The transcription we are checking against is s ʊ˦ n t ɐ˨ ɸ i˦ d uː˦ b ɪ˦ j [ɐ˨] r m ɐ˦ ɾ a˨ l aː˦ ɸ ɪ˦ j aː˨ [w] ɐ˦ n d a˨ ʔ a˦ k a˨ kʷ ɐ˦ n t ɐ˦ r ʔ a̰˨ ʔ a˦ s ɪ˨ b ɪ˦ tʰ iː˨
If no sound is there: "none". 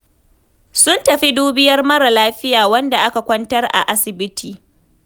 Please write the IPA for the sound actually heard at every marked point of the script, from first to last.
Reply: ɐ˦, w

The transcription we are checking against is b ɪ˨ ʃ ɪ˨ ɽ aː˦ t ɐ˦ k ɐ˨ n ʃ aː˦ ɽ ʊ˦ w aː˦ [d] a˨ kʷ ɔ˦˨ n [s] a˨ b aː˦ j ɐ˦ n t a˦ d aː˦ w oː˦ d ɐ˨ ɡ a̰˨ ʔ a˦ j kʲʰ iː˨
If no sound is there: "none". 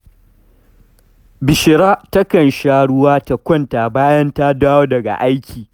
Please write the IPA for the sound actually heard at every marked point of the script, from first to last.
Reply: t, t

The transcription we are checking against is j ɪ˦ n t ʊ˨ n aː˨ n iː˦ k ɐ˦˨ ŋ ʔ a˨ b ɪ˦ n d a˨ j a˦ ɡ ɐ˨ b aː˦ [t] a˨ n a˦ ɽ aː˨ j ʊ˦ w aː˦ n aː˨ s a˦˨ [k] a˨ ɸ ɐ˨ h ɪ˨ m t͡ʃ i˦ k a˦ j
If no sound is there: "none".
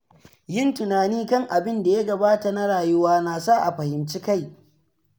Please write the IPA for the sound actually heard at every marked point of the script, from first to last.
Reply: t, ʔ

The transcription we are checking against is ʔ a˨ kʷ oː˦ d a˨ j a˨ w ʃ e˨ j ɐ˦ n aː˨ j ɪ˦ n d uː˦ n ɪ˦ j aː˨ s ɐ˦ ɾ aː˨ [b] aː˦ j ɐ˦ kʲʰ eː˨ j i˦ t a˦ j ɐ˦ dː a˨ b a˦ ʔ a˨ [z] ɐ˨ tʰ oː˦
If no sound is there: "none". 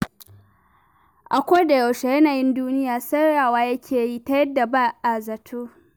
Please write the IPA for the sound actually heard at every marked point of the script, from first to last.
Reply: w, z

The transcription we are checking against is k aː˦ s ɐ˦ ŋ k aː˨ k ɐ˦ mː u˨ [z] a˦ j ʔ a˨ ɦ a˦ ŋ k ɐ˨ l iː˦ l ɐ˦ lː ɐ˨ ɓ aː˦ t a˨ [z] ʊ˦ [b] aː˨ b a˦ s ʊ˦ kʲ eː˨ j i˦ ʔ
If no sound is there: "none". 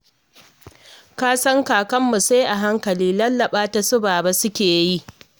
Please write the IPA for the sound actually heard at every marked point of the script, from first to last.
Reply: s, s, b

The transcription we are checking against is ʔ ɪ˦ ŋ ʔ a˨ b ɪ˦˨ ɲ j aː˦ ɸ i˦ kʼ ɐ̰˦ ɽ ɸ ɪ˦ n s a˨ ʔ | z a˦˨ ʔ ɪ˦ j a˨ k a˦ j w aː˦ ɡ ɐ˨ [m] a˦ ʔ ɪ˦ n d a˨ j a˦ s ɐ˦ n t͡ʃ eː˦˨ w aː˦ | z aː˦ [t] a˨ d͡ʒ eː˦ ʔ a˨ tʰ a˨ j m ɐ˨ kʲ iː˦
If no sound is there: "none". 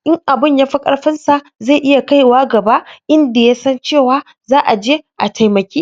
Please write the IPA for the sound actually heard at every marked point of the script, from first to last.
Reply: b, ʔ

